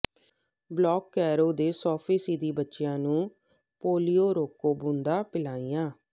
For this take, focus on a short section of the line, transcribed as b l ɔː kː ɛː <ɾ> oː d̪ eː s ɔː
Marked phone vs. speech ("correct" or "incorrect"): correct